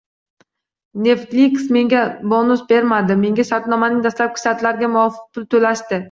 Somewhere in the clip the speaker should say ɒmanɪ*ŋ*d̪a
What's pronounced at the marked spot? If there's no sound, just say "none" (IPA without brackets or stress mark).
ŋ